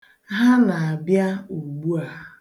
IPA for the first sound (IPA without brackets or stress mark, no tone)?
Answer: ɦ